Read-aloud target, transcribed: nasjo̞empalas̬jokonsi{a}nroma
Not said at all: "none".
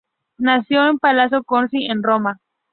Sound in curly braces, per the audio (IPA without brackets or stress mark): e